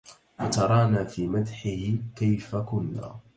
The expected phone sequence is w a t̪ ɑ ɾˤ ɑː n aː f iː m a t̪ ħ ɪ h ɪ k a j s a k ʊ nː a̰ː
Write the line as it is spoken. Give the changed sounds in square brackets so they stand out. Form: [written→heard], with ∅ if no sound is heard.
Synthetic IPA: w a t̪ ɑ ɾˤ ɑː n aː f iː m a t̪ ħ ɪ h ɪ k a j [s→f] a k ʊ nː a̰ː